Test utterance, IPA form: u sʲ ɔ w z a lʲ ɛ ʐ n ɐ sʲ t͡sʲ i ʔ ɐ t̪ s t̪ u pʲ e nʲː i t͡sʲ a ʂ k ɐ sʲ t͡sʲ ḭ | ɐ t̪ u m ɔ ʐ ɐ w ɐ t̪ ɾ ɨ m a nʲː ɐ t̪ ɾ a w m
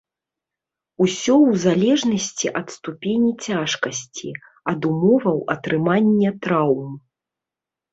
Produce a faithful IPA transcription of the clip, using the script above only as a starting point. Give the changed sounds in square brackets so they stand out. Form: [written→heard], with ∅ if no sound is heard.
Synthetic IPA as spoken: u sʲ ɔ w z a lʲ ɛ ʐ n ɐ sʲ t͡sʲ i ʔ ɐ t̪ s t̪ u pʲ e [nʲː→nʲ] i t͡sʲ a ʂ k ɐ sʲ t͡sʲ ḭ | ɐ [t̪→d̪] u m ɔ [ʐ→v] ɐ w ɐ t̪ ɾ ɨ m a nʲː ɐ t̪ ɾ a w m